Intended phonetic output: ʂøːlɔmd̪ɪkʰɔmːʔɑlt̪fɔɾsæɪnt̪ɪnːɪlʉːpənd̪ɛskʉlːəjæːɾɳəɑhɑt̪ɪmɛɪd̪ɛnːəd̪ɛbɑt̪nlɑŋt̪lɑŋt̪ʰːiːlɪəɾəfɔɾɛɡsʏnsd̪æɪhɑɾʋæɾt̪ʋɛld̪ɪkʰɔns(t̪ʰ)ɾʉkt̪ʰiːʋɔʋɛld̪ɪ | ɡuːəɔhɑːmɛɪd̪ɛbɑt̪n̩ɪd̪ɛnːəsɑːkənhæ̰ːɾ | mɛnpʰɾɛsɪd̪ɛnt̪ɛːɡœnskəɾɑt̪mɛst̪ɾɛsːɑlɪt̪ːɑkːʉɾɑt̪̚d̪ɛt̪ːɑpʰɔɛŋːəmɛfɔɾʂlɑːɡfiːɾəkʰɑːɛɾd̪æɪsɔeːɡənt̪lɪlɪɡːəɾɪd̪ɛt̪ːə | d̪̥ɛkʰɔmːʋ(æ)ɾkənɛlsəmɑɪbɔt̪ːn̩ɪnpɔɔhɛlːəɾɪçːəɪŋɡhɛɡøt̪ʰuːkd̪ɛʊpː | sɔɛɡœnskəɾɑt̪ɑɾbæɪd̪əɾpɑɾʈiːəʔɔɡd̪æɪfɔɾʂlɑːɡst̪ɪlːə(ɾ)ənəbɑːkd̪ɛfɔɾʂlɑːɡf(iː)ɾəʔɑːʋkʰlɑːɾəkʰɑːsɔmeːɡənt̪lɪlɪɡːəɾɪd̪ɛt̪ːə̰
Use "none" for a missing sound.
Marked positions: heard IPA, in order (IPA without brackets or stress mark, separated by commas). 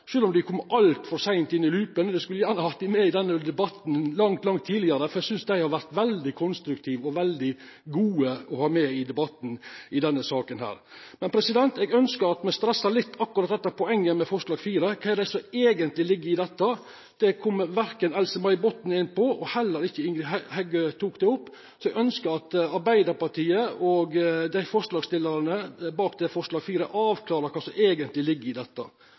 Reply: t̪, æ, ɾ, iː